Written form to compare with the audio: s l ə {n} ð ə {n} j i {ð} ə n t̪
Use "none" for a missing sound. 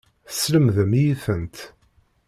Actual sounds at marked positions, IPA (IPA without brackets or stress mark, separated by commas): m, m, θ